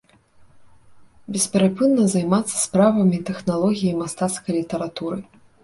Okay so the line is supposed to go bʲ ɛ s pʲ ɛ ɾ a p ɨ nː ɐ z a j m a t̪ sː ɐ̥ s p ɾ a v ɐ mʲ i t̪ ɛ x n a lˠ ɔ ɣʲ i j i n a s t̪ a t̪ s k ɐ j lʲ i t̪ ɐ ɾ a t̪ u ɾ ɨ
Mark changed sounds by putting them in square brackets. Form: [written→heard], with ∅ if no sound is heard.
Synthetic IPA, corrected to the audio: bʲ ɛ s pʲ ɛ ɾ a p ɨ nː ɐ z a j m a t̪ sː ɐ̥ s p ɾ a v ɐ mʲ i t̪ ɛ x n a lˠ ɔ ɣʲ i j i [n→m] a s t̪ a t̪ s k ɐ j lʲ i t̪ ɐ ɾ a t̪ u ɾ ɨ